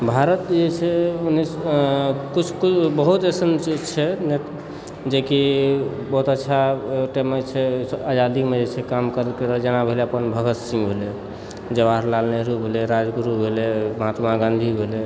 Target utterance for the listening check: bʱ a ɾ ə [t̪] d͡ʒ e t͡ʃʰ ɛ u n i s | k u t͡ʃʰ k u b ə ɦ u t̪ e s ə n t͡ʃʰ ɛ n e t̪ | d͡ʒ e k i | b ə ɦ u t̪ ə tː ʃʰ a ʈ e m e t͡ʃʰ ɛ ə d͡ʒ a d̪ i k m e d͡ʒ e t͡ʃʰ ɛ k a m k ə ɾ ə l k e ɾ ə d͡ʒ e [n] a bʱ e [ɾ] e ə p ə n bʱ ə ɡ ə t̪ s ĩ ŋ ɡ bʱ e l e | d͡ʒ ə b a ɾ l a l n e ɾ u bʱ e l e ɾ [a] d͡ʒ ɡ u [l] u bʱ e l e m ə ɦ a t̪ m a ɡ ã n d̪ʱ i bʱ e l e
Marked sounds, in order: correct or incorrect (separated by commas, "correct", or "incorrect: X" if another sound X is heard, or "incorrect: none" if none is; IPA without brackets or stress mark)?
correct, correct, incorrect: l, correct, incorrect: ɾ